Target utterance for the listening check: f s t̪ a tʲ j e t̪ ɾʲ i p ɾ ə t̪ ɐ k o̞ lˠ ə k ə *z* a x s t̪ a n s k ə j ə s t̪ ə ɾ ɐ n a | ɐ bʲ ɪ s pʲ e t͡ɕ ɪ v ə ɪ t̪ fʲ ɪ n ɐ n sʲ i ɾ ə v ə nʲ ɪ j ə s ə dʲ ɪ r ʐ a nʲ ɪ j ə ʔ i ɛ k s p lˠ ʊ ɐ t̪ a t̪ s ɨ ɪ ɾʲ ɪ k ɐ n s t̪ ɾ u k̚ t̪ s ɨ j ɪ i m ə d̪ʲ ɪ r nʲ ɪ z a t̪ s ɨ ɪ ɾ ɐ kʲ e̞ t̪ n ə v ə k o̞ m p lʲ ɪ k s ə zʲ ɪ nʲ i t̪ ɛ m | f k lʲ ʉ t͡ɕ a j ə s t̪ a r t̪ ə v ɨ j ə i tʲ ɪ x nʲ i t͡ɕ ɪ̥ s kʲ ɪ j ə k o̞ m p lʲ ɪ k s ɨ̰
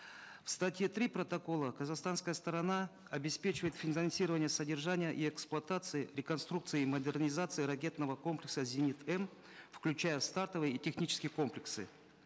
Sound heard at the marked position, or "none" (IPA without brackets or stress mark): z